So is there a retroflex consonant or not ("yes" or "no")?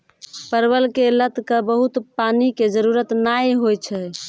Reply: no